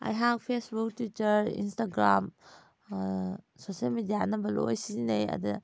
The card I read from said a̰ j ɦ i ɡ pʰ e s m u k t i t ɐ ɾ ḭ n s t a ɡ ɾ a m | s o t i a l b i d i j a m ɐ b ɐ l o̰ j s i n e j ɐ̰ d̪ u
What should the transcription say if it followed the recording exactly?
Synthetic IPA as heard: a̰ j ɦ a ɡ pʰ e s b u k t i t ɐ ɾ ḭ n s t a ɡ ɾ a m | s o s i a l m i d i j a n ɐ b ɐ l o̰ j s i n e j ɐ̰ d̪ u